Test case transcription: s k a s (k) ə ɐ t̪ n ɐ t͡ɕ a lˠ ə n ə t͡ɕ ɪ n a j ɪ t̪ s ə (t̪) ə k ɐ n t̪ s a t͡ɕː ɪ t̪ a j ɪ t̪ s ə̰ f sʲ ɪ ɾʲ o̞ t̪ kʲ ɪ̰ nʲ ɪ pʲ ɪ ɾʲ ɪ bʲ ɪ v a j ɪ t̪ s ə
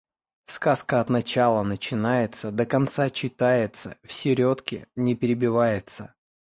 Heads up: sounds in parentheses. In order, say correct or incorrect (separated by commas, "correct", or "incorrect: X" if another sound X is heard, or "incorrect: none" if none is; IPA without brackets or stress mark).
correct, incorrect: d̪